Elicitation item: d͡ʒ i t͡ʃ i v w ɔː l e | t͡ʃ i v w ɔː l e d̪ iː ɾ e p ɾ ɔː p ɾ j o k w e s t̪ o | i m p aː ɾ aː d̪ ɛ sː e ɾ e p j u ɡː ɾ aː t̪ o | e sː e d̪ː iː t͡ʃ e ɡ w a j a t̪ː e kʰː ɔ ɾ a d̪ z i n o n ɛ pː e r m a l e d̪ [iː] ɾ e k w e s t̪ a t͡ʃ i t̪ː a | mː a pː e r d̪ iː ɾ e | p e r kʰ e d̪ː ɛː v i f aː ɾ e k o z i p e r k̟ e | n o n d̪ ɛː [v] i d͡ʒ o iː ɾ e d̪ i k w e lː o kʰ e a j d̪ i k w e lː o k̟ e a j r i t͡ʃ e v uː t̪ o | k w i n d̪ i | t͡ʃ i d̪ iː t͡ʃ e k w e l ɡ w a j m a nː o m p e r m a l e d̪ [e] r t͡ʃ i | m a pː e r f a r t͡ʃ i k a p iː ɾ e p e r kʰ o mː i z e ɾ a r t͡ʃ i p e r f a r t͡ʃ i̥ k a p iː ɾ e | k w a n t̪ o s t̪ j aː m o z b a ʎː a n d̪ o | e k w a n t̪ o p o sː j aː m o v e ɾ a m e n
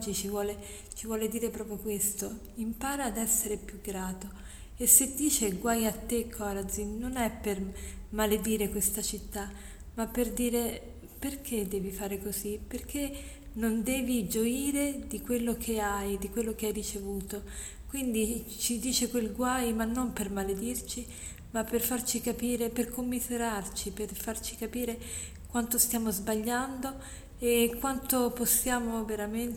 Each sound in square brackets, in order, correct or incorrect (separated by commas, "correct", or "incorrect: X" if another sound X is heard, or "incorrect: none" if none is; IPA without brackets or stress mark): correct, correct, incorrect: i